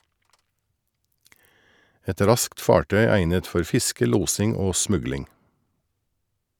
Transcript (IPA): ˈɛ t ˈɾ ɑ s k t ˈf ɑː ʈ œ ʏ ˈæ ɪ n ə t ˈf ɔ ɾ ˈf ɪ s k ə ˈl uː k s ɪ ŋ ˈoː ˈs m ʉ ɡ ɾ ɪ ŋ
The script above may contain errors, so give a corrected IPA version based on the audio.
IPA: ˈɛ t ˈɾ ɑ s k t ˈf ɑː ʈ œ ʏ ˈæ ɪ n ə t ˈf ɔ ɾ ˈf ɪ s k ə ˈl uː s ɪ ŋ ˈoː ˈs m ʉ ɡ l ɪ ŋ

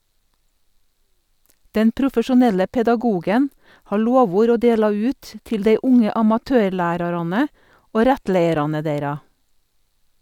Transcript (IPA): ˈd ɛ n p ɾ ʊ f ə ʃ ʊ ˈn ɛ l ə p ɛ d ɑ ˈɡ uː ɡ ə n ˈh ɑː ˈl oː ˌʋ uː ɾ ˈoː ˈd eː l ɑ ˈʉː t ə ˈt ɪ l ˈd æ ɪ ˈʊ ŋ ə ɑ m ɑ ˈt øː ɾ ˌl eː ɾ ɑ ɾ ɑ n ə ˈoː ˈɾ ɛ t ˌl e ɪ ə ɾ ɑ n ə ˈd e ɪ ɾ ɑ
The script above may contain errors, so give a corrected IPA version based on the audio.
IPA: ˈd ɛ n p ɾ ʊ f ə ʃ ʊ ˈn ɛ l ə p ɛ d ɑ ˈɡ uː ɡ ə n ˈh ɑː ˈl oː ˌʋ uː ɾ ˈoː ˈd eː l ɑ ˈʉː t ə ˈt ɪ l ˈd e ɪ ˈʊ ŋ ə ɑ m ɑ ˈt øː ɾ ˌl æː ɾ ɑ ɾ ɑ n ə ˈoː ˈɾ ɛ t ˌl e ɪ ə ɾ ɑ n ə ˈd e ɪ ɾ ɑ

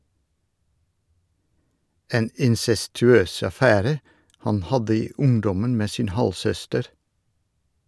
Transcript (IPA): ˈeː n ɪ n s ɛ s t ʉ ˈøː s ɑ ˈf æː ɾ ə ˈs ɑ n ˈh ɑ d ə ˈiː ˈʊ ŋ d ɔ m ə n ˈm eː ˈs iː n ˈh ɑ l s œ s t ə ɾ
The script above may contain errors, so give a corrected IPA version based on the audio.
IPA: ˈeː n ɪ n s ɛ s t ʉ ˈøː s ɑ ˈf æː ɾ ə ˈh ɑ n ˈh ɑ d ə ˈiː ˈʊ ŋ d ɔ m ə n ˈm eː ˈs iː n ˈh ɑ l s œ s t ə ɾ

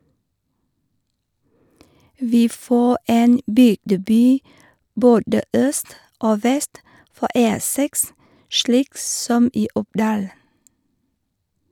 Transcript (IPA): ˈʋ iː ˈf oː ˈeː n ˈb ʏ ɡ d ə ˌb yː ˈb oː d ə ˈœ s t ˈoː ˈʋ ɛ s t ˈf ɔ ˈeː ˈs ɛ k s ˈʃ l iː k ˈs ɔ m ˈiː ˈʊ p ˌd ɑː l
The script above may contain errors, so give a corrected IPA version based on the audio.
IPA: ˈʋ iː ˈf oː ˈeː n ˈb ʏ ɡ d ə ˌb yː ˈb oː d ə ˈœ s t ˈoː ˈʋ ɛ s t ˈf ɔ ˈeː ˈs ɛ k s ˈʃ l iː k ˈs ɔ m ˈiː ˈʊ p ˌd ɑː l

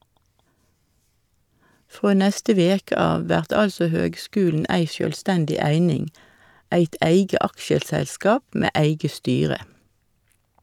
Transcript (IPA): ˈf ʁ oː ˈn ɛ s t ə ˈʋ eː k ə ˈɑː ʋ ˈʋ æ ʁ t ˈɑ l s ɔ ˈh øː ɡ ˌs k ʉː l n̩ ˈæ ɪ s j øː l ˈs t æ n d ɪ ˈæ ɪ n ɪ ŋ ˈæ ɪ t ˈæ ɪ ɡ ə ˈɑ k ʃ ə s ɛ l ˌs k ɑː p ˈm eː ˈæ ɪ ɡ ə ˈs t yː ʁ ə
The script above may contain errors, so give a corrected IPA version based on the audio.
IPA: ˈf ʁ oː ˈn ɛ s t ə ˈʋ eː k ə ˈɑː ʋ ˈʋ æ ʁ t ˈɑ l s ɔ ˈh øː ɡ ˌs k ʉː l n̩ ˈæ ɪ s j øː l ˈs t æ n d ɪ ˈæ ɪ n ɪ ŋ ˈæ ɪ t ˈæ ɪ ɡ ə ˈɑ k ʃ ə s ɛ l ˌs k ɑː p ˈm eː ˈæ ɪ ɡ ə ˈs t yː ʁ ə

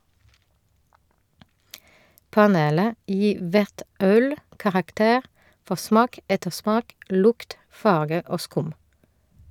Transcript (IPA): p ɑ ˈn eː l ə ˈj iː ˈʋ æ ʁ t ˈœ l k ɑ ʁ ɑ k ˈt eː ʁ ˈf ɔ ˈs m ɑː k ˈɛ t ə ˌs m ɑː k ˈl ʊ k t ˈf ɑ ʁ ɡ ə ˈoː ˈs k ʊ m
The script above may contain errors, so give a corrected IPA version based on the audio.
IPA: p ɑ ˈn eː l ə ˈj iː ˈʋ æ ʁ t ˈœ l k ɑ ʁ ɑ k ˈt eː ʁ ˈf ɔ ˈs m ɑː k ˈɛ t ə ˌs m ɑː k ˈl ʊ k t ˈf ɑ ʁ ɡ ə ˈoː ˈs k ʊ m

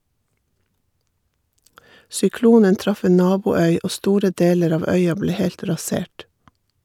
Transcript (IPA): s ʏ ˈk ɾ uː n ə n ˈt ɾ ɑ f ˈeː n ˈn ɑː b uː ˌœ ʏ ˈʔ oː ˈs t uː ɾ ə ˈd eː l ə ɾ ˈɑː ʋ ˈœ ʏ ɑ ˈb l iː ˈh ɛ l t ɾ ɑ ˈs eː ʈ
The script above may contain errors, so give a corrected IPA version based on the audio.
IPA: s ʏ ˈk l uː n ə n ˈt ɾ ɑ f ˈeː n ˈn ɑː b uː ˌœ ʏ ˈʔ oː ˈs t uː ɾ ə ˈd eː l ə ɾ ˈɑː ʋ ˈœ ʏ ɑ ˈb l eː ˈh ɛ l t ɾ ɑ ˈs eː ʈ

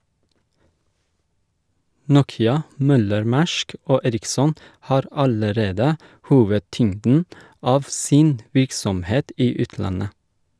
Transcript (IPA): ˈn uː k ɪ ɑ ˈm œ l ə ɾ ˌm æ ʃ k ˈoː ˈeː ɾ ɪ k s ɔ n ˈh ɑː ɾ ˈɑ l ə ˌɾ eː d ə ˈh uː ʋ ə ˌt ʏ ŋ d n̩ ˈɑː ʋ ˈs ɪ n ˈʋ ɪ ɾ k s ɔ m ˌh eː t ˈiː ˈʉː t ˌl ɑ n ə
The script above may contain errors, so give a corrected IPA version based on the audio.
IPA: ˈn uː k ɪ ɑ ˈm œ l ə ɾ ˌm æ ʃ k ˈoː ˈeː ɾ ɪ k s ɔ n ˈh ɑː ɾ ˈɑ l ə ˌɾ eː d ə ˈh uː ʋ ə ˌt ʏ ŋ d n̩ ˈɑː ʋ ˈs ɪ n ˈʋ ɪ ɾ k s ɔ m ˌh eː t ˈiː ˈʉː t ˌl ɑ n ə

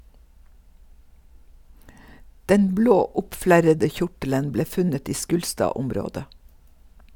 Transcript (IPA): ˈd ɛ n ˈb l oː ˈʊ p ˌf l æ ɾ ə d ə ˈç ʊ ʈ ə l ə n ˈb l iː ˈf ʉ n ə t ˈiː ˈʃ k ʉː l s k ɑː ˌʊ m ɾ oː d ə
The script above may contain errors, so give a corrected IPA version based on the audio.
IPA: ˈd ɛ n ˈb l oː ˈʊ p ˌf l æ ɾ ə d ə ˈç ʊ ʈ ə l ə n ˈb l eː ˈf ʉ n ə t ˈiː ˈʃ k ʉː l s t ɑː ˌʊ m ɾ oː d ə

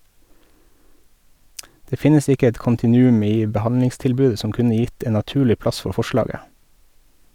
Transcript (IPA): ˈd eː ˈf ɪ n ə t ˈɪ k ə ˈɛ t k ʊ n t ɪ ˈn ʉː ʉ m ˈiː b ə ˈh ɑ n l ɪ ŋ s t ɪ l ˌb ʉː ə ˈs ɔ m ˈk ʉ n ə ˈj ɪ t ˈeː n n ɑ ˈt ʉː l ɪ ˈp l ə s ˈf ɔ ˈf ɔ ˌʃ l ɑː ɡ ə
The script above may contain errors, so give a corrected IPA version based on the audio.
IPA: ˈd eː ˈf ɪ n ə s ˈɪ k ə ˈɛ t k ʊ n t ɪ ˈn ʉː ʉ m ˈiː b ə ˈh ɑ n l ɪ ŋ s t ɪ l ˌb ʉː ə ˈs ɔ m ˈk ʉ n ə ˈj ɪ t ˈeː n n ɑ ˈt ʉː l ɪ ˈp l ɑ s ˈf ɔ ˈf ɔ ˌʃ l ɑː ɡ ə

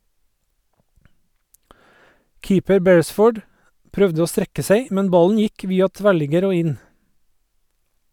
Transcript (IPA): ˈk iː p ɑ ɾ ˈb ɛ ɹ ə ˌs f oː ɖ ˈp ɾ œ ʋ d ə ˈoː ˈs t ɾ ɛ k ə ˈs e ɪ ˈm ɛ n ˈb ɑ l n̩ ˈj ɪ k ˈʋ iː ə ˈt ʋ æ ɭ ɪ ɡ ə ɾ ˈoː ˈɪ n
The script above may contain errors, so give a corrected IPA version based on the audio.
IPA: ˈk iː p ə ɾ ˈb ɛ ɹ ə ˌs f oː ɖ ˈp ɾ œ ʋ d ə ˈoː ˈs t ɾ ɛ k ə ˈs e ɪ ˈm ɛ n ˈb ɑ l n̩ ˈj ɪ k ˈʋ iː ɑ ˈt ʋ æ ɭ ɪ ɡ ə ɾ ˈoː ˈɪ n

